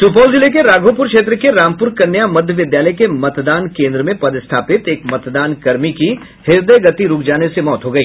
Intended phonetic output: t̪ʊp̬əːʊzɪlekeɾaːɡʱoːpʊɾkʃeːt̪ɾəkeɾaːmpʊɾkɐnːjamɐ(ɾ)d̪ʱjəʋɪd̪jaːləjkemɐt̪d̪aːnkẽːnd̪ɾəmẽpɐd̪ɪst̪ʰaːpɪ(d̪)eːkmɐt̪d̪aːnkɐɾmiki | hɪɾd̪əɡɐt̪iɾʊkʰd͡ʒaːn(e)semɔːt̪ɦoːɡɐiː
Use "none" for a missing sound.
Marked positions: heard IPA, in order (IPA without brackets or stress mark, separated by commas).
none, t̪, e